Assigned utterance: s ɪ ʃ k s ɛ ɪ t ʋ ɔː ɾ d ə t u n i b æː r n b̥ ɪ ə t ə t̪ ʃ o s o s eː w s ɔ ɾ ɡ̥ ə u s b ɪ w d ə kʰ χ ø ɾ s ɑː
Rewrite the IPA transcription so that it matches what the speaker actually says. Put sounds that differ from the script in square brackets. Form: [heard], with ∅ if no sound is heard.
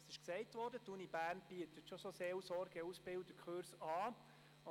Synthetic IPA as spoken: s ɪ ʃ k s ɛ ɪ t ʋ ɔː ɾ d ə t u n i b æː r n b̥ [i] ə t ə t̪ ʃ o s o s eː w s ɔ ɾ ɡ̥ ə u s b ɪ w d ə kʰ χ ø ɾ s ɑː